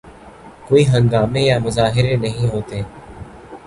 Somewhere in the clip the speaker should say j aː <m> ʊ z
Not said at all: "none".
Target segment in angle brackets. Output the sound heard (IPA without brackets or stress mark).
m